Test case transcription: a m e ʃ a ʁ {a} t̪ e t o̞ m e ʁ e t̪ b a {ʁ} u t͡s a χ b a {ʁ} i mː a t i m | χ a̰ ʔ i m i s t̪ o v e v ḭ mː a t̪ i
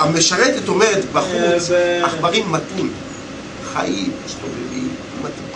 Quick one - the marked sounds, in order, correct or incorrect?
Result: incorrect: e, incorrect: χ, correct

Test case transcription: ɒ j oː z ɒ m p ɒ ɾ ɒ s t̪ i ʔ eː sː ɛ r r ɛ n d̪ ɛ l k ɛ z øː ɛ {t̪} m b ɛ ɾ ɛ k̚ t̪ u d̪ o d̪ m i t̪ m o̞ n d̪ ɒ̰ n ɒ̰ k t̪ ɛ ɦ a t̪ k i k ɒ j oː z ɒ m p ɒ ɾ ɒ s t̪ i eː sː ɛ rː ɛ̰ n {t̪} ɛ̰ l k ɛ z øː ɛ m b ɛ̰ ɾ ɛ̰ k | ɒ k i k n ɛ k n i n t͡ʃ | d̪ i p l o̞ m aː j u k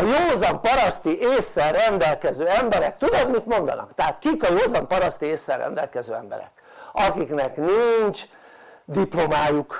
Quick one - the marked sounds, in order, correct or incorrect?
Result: incorrect: none, incorrect: d̪

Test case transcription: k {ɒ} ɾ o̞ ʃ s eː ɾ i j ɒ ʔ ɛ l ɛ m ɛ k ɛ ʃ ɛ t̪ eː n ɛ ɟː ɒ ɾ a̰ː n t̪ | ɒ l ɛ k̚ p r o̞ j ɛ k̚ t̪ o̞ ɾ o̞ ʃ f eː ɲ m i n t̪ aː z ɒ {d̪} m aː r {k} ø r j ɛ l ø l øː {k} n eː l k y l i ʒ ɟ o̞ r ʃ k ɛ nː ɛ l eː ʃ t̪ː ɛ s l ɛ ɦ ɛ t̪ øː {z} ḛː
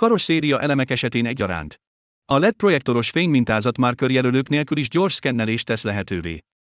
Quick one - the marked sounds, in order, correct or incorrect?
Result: correct, incorrect: t̪, correct, correct, incorrect: v

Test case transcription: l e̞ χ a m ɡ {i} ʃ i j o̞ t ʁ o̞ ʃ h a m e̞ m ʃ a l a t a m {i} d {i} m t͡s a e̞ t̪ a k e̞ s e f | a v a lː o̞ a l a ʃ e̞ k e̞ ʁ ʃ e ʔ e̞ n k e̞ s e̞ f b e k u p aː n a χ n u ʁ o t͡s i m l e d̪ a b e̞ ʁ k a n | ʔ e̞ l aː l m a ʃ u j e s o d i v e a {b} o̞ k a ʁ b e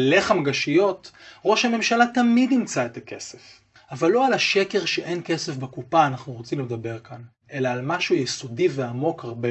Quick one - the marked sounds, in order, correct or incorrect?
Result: incorrect: a, correct, correct, incorrect: m

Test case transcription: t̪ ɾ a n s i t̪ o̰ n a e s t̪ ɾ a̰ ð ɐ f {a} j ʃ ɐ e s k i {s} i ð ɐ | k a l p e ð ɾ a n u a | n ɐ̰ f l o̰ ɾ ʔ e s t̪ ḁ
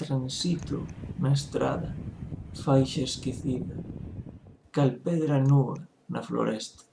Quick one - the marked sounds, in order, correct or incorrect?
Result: correct, incorrect: θ

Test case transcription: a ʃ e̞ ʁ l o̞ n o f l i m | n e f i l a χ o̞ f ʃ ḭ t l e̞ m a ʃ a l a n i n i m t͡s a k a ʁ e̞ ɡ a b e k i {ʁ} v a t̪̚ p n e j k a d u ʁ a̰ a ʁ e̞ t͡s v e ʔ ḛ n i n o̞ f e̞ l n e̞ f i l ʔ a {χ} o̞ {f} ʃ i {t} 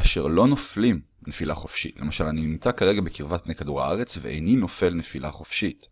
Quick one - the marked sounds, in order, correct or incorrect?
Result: correct, correct, correct, correct

